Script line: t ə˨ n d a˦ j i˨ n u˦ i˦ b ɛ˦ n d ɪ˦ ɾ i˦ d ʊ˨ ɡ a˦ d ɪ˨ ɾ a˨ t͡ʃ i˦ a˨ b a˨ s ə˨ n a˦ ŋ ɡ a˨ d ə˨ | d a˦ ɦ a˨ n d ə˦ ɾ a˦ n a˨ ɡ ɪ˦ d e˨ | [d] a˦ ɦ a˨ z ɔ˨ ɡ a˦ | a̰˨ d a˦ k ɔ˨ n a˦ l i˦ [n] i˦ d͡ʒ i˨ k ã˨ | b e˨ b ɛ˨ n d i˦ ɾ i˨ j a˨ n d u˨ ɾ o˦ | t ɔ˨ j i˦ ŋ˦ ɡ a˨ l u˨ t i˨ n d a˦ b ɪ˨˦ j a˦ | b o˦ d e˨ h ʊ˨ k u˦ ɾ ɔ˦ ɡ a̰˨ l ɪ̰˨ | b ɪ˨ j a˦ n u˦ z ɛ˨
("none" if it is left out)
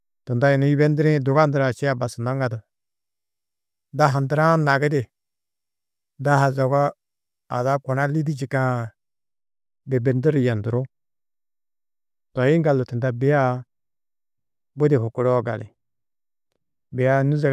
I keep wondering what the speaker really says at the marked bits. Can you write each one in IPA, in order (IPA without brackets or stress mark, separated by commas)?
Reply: d, d